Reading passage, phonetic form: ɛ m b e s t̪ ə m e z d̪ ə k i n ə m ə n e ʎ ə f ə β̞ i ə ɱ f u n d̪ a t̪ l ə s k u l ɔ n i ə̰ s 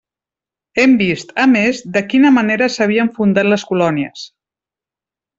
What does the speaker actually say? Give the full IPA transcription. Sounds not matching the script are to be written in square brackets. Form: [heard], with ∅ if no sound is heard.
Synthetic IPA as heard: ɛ m b [i] s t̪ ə m e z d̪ ə k i n ə m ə n e [ɾ] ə [s] ə β̞ i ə ɱ f u n d̪ a t̪ l ə s k u l ɔ n i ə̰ s